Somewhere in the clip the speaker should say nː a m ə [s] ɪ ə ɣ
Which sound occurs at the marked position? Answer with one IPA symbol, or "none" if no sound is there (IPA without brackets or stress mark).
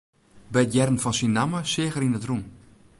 s